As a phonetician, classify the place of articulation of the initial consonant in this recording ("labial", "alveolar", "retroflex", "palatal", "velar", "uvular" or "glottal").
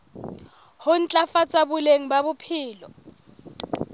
glottal